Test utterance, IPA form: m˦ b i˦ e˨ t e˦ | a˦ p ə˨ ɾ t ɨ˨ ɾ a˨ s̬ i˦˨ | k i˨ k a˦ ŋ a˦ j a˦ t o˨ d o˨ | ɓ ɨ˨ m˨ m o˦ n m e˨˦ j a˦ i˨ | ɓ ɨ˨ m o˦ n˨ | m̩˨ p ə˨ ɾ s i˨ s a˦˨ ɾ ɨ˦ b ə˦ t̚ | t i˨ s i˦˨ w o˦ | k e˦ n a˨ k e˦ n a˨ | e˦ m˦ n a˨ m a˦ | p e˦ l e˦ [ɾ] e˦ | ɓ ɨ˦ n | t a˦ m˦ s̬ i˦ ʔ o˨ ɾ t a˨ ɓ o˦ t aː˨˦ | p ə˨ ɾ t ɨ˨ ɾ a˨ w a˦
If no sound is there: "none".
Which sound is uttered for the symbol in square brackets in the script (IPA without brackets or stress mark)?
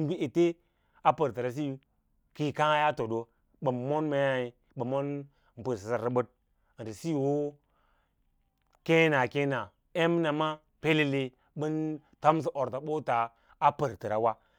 l